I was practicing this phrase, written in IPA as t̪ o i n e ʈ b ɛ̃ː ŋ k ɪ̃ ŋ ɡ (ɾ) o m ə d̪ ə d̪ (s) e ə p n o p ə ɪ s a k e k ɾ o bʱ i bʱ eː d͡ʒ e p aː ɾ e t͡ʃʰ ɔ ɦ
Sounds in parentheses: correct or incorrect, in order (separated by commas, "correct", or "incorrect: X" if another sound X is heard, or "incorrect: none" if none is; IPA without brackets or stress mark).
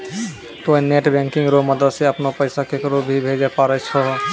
correct, correct